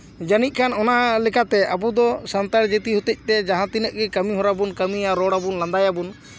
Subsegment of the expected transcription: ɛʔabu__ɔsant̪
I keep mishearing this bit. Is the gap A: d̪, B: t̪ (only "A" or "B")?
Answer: A